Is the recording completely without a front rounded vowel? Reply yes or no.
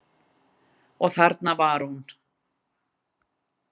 yes